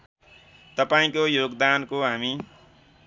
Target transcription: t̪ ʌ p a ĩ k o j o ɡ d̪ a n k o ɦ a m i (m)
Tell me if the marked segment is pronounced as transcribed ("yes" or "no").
no